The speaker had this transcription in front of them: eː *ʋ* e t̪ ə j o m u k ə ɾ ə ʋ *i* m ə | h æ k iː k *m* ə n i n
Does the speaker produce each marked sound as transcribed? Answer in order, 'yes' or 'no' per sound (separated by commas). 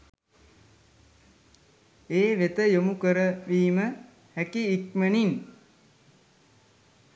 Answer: yes, no, yes